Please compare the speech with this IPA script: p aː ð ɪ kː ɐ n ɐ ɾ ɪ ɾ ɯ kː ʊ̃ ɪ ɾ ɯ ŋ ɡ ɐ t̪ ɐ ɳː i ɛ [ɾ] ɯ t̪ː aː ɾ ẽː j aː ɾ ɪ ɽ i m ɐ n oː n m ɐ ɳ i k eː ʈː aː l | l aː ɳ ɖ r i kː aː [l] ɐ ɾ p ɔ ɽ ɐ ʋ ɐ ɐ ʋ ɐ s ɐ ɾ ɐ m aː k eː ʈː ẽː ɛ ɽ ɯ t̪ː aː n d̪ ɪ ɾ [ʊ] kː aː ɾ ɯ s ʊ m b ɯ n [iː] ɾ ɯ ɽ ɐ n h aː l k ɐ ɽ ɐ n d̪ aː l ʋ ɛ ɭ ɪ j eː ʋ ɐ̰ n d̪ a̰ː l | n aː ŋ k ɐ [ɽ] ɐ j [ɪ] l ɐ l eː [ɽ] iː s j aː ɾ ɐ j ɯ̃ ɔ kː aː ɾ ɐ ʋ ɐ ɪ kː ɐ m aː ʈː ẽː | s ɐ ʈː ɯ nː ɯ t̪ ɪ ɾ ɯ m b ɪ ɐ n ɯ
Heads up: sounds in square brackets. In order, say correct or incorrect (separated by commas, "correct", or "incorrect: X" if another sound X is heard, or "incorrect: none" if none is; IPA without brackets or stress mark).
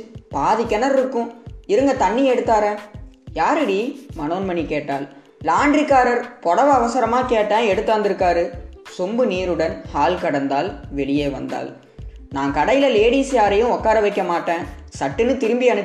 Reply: incorrect: ɽ, incorrect: ɾ, incorrect: ɯ, correct, correct, correct, correct